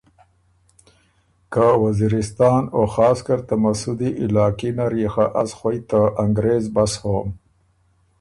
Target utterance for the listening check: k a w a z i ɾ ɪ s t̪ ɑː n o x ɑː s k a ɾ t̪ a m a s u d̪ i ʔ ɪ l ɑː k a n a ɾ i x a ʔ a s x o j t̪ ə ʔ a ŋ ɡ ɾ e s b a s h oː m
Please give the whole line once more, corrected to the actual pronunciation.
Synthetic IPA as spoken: k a w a z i ɾ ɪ s t̪ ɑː n o x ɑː s k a ɾ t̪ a m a s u d̪ i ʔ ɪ l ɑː k i n a ɾ i x a ʔ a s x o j t̪ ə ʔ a ŋ ɡ ɾ e z b a s h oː m